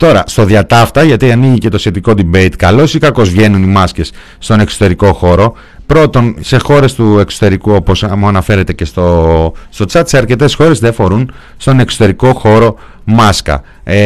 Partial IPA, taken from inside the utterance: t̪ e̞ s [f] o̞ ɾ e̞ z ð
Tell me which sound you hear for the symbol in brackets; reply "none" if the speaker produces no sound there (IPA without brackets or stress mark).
x